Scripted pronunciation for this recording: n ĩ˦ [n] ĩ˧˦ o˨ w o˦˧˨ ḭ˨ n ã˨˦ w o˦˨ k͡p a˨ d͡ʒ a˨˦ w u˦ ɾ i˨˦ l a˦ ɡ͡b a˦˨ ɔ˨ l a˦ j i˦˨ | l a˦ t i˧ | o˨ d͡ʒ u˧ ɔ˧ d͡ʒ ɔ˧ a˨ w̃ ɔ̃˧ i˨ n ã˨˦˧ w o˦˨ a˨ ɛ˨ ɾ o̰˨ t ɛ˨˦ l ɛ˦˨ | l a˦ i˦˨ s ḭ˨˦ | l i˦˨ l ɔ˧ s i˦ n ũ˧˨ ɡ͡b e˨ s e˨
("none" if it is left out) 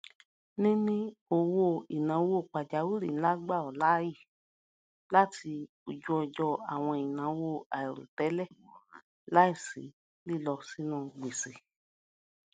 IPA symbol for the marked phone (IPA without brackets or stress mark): n